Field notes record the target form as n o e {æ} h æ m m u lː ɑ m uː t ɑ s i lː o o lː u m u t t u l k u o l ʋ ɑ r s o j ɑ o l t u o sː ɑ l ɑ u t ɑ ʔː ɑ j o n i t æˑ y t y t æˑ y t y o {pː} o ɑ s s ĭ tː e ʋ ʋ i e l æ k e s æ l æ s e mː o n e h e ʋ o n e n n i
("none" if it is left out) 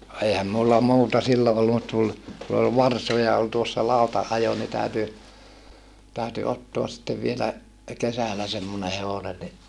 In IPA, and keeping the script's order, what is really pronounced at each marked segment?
i, tː

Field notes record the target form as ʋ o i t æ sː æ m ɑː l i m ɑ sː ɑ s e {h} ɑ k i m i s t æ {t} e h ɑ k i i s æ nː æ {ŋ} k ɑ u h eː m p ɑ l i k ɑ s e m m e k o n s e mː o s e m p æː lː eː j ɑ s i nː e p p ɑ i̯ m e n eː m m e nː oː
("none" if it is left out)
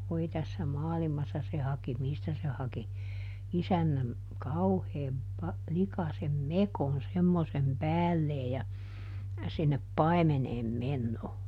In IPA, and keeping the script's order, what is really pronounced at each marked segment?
h, s, m

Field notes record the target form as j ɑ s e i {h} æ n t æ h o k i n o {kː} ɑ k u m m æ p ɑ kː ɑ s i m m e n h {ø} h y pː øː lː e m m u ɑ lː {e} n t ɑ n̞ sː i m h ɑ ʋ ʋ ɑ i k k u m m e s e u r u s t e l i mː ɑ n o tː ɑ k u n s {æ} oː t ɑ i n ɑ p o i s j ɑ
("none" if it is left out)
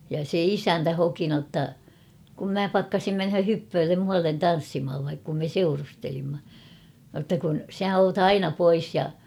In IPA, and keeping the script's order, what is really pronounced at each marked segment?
s, tː, ø, e, æ

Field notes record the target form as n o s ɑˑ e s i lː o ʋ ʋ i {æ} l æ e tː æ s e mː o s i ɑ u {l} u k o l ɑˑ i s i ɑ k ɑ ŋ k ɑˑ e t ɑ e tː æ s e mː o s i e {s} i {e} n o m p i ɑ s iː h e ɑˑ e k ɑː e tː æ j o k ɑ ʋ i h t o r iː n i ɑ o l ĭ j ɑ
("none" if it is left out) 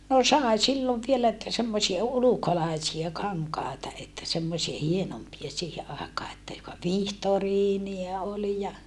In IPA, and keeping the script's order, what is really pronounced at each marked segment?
e, l, h, e

